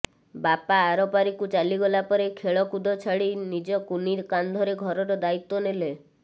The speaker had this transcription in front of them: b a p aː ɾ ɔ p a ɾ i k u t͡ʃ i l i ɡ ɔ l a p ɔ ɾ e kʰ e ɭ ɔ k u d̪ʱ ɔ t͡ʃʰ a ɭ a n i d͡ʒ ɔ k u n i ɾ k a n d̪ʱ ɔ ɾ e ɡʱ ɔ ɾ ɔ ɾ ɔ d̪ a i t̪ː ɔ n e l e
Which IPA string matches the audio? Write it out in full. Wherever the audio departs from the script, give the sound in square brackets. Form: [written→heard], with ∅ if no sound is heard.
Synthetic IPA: b a p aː ɾ ɔ p a ɾ i k u t͡ʃ [i→a] l i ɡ ɔ l a p ɔ ɾ e kʰ e ɭ ɔ k u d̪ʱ ɔ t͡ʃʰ a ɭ [a→i] n i d͡ʒ ɔ k u n i ɾ k a n d̪ʱ ɔ ɾ e ɡʱ ɔ ɾ ɔ ɾ ɔ d̪ a i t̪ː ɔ n e l e